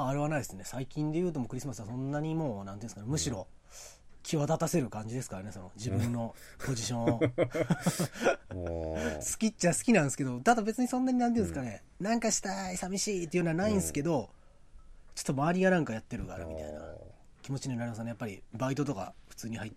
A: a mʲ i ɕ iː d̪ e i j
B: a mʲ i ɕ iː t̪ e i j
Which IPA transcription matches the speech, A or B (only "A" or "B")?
B